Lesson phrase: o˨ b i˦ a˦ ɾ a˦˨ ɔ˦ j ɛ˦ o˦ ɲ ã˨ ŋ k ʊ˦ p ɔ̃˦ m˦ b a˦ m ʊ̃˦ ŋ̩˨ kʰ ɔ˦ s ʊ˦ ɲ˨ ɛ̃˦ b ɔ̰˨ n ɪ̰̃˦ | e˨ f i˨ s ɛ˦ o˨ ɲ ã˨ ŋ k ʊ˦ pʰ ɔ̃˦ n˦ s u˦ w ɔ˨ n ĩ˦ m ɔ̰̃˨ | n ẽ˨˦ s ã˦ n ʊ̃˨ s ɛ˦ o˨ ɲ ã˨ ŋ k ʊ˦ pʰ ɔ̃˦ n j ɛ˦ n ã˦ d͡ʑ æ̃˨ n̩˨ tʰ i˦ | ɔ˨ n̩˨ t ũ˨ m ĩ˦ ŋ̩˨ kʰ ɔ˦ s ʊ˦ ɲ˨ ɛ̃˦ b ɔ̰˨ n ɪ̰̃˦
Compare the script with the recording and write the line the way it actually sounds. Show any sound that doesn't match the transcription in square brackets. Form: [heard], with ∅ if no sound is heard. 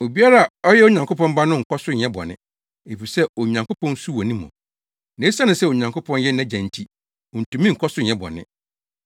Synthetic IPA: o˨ b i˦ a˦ ɾ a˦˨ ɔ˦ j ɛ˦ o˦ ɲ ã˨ ŋ k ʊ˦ p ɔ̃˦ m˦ b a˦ [n] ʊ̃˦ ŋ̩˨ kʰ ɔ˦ s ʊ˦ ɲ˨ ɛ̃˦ b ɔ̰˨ n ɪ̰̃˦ | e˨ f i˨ s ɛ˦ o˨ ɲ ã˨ ŋ k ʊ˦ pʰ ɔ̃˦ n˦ s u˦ w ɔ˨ n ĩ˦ m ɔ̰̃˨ | n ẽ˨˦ s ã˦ n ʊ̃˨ s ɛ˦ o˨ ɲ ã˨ ŋ k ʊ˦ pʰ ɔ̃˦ n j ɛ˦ n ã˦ d͡ʑ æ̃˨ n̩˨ tʰ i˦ | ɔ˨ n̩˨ t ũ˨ m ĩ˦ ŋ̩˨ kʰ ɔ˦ s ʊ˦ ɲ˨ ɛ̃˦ b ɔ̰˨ n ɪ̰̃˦